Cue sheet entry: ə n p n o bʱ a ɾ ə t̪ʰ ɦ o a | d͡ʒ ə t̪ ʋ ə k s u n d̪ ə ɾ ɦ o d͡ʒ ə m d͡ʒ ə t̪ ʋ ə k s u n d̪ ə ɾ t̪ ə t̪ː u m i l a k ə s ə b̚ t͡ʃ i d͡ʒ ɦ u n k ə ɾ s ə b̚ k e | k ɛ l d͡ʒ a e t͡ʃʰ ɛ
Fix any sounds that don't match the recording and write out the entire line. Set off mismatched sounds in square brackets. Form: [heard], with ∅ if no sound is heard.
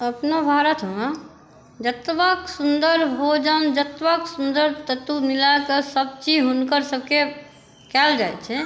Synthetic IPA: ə [∅] p n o bʱ a ɾ ə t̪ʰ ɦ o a | d͡ʒ ə t̪ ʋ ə k s u n d̪ ə ɾ ɦ o d͡ʒ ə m d͡ʒ ə t̪ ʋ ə k s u n d̪ ə ɾ t̪ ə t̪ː u m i l a k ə s ə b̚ t͡ʃ i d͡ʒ ɦ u n k ə ɾ s ə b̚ k e | k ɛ l d͡ʒ a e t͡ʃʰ ɛ